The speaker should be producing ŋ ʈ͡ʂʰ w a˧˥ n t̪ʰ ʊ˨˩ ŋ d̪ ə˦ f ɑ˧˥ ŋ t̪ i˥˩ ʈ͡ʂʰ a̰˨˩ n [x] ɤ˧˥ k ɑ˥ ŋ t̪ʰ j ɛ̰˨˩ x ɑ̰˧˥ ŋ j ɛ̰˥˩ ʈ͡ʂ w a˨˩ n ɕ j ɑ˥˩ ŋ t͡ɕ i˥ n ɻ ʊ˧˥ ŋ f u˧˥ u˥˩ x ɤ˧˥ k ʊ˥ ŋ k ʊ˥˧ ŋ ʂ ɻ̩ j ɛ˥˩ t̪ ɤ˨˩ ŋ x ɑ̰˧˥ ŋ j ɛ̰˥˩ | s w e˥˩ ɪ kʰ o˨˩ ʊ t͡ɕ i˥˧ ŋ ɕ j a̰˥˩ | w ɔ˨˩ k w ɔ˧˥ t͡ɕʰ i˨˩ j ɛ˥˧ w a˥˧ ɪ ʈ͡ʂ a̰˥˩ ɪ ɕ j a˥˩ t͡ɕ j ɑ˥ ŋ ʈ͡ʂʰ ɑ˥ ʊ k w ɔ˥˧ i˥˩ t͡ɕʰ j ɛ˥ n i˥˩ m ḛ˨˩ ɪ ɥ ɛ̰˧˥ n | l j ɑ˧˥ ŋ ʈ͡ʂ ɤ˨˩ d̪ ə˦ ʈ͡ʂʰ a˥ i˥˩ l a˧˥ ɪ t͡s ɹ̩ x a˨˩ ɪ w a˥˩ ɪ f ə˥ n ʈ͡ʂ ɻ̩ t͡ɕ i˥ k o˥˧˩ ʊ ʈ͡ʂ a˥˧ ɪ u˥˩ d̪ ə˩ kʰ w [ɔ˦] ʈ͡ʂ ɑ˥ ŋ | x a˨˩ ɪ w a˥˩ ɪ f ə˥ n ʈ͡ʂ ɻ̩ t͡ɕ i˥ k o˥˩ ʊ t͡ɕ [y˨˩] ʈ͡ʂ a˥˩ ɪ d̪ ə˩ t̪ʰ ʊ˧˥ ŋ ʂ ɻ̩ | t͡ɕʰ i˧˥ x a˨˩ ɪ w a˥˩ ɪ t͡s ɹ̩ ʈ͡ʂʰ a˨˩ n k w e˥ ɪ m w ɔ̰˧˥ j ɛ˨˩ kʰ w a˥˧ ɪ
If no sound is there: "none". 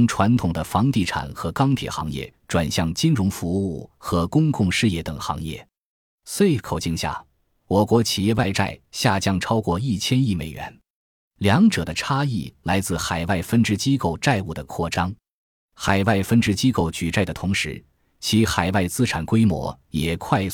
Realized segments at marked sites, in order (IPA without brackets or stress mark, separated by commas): x, ɔ˥˩, y˨˩